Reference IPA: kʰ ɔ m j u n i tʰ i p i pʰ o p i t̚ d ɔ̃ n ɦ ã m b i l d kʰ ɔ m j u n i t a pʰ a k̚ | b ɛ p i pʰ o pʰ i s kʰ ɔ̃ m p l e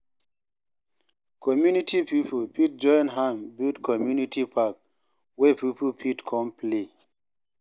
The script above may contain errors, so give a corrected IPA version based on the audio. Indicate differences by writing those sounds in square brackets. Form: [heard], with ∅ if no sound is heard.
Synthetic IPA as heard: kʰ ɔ m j u n i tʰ i p i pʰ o p i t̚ [d͡ʒ] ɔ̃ n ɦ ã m b i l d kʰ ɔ m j u n i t [i] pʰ a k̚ | [w] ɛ p i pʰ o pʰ i [t] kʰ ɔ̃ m p l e